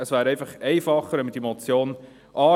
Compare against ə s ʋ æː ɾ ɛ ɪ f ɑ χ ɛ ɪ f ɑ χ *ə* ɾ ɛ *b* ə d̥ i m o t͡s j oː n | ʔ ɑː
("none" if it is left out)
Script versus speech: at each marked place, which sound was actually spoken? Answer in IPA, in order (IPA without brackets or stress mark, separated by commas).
ə, m